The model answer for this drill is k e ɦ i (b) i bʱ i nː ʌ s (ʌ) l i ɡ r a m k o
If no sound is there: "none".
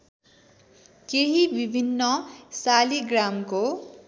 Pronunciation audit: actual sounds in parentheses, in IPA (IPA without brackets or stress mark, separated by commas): b, a